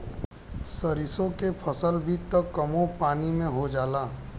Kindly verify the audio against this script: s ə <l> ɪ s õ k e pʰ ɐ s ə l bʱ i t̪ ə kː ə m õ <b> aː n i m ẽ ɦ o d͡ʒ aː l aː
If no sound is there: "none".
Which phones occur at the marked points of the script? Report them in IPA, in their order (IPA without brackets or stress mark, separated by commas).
ɾ, p